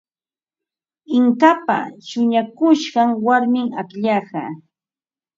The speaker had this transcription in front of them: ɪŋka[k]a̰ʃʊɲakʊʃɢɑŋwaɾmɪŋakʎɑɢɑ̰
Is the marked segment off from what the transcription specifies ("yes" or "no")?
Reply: yes